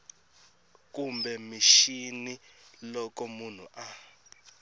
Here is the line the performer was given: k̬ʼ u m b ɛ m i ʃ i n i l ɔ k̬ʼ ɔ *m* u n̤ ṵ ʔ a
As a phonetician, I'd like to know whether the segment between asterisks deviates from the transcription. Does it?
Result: no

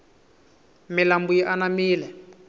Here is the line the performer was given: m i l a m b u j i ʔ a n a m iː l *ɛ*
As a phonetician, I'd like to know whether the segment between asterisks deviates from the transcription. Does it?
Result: no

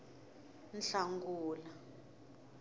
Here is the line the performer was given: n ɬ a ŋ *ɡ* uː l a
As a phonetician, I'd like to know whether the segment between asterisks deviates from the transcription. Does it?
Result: no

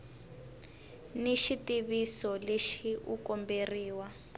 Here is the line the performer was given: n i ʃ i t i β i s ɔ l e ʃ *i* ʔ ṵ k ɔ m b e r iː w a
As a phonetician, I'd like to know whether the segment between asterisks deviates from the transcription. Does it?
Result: no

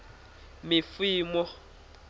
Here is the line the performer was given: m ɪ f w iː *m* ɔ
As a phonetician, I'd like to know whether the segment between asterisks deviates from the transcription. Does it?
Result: no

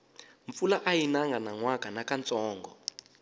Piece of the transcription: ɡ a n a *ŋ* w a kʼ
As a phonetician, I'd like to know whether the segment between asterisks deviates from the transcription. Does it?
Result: no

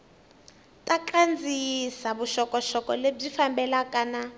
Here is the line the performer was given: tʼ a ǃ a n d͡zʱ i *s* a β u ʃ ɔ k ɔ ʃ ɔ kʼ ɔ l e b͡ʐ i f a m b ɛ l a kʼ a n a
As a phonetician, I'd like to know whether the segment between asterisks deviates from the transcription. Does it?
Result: no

